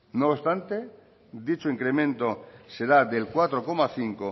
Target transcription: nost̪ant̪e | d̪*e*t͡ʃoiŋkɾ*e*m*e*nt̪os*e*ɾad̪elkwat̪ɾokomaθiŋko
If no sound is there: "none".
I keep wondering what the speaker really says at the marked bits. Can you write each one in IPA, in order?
i, e, ẽ, e

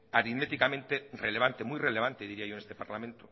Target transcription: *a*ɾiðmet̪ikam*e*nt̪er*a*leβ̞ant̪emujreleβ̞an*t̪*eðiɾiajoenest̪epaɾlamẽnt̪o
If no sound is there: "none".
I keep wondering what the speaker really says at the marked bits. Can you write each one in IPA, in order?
a, ẽ, e, t̪

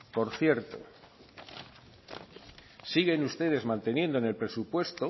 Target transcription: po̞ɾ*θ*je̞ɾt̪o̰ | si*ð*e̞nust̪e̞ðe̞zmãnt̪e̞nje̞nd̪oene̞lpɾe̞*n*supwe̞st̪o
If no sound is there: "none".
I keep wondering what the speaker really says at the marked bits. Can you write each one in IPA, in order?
θ, ɣ, none

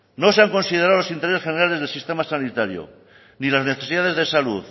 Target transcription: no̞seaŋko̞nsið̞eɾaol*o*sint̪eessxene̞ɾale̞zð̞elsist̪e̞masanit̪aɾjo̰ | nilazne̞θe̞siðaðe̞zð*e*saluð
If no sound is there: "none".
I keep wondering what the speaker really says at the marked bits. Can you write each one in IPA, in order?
o, e

